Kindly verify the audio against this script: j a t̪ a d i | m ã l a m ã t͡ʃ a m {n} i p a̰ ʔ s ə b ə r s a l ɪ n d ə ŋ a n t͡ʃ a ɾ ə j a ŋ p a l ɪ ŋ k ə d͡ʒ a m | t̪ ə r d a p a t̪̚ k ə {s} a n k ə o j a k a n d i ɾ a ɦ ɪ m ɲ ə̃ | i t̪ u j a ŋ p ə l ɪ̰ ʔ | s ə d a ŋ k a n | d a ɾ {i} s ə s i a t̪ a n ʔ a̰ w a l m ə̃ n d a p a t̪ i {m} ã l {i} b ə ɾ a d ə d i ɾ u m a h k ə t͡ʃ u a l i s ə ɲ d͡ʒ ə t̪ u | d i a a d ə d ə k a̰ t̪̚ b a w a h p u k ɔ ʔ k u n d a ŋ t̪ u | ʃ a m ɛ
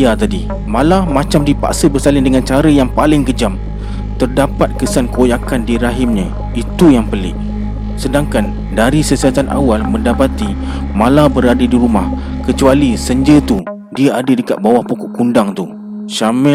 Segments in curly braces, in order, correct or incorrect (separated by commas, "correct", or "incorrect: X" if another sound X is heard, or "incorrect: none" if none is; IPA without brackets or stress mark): incorrect: d, correct, correct, correct, incorrect: a